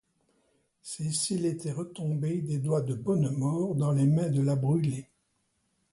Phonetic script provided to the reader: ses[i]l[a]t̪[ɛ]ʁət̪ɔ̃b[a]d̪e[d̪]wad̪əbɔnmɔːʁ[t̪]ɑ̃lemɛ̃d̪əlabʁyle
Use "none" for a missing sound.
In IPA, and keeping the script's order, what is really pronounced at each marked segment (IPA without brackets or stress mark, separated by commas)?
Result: i, e, ɛ, e, d̪, d̪